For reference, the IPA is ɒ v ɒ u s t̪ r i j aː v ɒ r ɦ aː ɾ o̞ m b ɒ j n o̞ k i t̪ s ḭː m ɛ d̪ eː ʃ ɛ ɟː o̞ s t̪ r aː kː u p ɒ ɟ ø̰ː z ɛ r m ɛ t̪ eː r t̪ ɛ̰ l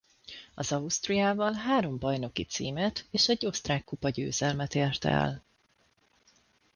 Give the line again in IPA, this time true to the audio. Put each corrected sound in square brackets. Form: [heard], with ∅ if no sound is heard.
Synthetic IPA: ɒ [z] ɒ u s t̪ r i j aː v ɒ [l] ɦ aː ɾ o̞ m b ɒ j n o̞ k i t̪ s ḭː m ɛ [t̪] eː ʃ ɛ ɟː o̞ s t̪ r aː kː u p ɒ ɟ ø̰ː z ɛ [l] m ɛ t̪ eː r t̪ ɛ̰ l

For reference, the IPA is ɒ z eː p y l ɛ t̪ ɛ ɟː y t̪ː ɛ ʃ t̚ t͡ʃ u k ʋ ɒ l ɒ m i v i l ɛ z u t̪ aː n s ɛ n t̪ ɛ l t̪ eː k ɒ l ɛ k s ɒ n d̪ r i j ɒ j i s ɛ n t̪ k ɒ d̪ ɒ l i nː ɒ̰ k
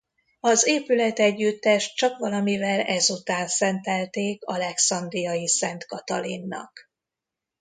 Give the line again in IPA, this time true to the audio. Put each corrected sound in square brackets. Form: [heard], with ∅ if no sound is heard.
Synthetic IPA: ɒ z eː p y l ɛ t̪ ɛ ɟː y t̪ː ɛ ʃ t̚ t͡ʃ [ɒ] k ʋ ɒ l ɒ m i v [ɛ] l ɛ z u t̪ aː n s ɛ n t̪ ɛ l t̪ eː k ɒ l ɛ k s ɒ n d̪ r i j ɒ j i s ɛ n t̪ k ɒ [t̪] ɒ l i nː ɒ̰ k

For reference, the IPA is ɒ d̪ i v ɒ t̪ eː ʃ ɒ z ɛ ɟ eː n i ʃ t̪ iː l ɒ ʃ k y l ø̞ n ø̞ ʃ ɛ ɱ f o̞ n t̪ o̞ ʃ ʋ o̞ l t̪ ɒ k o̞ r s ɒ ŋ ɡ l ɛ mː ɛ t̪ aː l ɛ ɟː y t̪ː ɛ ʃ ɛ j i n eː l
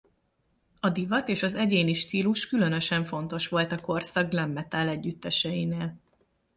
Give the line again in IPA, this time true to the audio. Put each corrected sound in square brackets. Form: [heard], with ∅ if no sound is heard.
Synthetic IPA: ɒ d̪ i v ɒ t̪ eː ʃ ɒ z ɛ ɟ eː n i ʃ t̪ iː l [u] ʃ k y l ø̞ n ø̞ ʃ ɛ ɱ f o̞ n t̪ o̞ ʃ ʋ o̞ l t̪ ɒ k o̞ r s ɒ [ɡ] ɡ l ɛ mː ɛ t̪ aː l ɛ ɟː y t̪ː ɛ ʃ ɛ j i n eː l

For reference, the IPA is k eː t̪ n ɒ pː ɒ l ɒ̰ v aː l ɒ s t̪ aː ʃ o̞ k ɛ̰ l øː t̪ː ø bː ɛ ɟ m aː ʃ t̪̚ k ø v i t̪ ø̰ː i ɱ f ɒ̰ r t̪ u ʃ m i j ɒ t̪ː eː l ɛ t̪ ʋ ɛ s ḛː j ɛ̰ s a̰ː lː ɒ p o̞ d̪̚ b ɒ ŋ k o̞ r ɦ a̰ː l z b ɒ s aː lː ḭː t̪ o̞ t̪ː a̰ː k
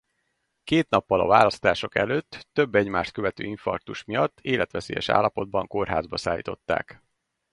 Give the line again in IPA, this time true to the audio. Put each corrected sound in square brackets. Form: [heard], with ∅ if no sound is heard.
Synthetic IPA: k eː t̪ n ɒ pː ɒ l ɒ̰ v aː l ɒ s t̪ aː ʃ o̞ k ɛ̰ l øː t̪ː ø bː ɛ ɟ m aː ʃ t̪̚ k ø v [ɛ] t̪ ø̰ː i ɱ f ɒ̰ r t̪ u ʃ m i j ɒ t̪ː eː l ɛ t̪ ʋ ɛ s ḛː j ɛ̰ [ʃ] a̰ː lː ɒ p o̞ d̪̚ b ɒ ŋ k o̞ r ɦ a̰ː [∅] z b ɒ s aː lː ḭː t̪ o̞ t̪ː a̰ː k

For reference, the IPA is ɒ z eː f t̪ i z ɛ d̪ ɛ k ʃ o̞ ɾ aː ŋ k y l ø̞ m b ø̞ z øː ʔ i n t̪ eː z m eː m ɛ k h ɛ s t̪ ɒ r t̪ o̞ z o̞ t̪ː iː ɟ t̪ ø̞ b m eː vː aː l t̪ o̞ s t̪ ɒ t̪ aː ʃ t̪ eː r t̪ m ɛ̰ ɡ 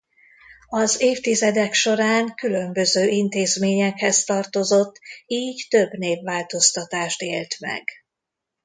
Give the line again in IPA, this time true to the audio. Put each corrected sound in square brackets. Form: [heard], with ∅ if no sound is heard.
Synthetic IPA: ɒ z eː f t̪ i z ɛ d̪ ɛ k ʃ o̞ ɾ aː ŋ k y l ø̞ m b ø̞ z øː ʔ i n t̪ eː z m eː [ɲ] ɛ k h ɛ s t̪ ɒ r t̪ o̞ z o̞ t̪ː iː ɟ t̪ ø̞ b [n] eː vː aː l t̪ o̞ s t̪ ɒ t̪ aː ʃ t̪ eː [l] t̪ m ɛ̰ ɡ

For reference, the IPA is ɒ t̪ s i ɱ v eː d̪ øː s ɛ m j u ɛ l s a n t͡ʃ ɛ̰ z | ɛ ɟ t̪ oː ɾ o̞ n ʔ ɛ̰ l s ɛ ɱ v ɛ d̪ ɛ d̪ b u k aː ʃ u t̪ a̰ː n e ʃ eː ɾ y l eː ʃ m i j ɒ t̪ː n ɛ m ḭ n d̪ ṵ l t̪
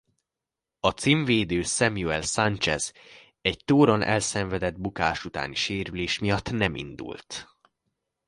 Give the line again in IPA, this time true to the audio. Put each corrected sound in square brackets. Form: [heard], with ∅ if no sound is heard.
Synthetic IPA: ɒ t̪ s i ɱ v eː d̪ øː s ɛ m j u ɛ l s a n t͡ʃ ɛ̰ z | ɛ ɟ t̪ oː ɾ o̞ n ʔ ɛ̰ l s ɛ ɱ v ɛ d̪ ɛ d̪ b u k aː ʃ u t̪ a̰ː n [i] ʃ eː ɾ y l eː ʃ m i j ɒ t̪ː n ɛ m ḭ n d̪ ṵ l t̪

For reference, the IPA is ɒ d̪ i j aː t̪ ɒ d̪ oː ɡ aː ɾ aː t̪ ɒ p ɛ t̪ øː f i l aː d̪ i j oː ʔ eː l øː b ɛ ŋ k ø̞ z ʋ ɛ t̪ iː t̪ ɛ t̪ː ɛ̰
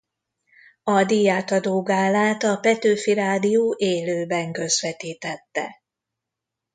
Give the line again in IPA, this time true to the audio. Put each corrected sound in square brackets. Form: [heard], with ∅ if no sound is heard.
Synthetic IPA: ɒ d̪ i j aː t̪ ɒ d̪ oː ɡ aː [l] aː t̪ ɒ p ɛ t̪ øː f i [ɾ] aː d̪ i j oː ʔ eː l øː b ɛ ŋ k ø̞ z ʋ ɛ t̪ iː t̪ ɛ t̪ː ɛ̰

